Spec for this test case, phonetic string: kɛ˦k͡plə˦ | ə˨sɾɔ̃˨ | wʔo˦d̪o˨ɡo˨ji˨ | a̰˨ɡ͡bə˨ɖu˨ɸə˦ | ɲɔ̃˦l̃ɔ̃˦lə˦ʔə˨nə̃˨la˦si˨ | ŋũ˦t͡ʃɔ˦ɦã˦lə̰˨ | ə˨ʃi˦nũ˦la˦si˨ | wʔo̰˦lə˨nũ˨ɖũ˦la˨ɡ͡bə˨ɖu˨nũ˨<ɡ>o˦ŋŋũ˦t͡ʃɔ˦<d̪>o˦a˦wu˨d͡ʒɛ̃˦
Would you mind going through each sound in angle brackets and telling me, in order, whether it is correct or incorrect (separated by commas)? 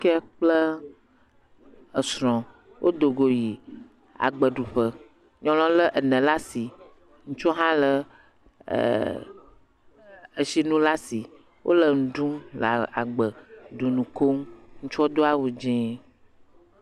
incorrect, correct